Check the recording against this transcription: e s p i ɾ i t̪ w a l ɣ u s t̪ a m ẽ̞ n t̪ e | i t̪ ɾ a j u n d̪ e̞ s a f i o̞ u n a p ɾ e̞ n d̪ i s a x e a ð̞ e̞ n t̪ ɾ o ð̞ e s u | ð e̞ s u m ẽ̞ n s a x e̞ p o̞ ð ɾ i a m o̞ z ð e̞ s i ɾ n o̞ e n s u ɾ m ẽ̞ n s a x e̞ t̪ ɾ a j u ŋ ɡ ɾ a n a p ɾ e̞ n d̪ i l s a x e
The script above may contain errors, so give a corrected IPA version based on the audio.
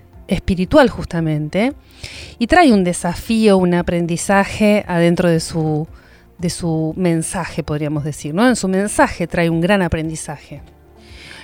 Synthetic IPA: e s p i ɾ i t̪ w a l x u s t̪ a m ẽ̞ n t̪ e | i t̪ ɾ a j u n d̪ e̞ s a f i o̞ u n a p ɾ e̞ n d̪ i s a x e a ð̞ e̞ n t̪ ɾ o ð̞ e s u | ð e̞ s u m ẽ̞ n s a x e̞ p o̞ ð ɾ i a m o̞ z ð e̞ s i ɾ n o̞ e n s u m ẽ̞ n s a x e̞ t̪ ɾ a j u ŋ ɡ ɾ a n a p ɾ e̞ n d̪ i s a x e